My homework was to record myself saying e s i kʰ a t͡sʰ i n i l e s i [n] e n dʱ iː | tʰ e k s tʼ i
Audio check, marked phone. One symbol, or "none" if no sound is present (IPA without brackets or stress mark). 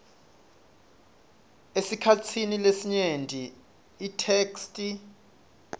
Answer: ɲ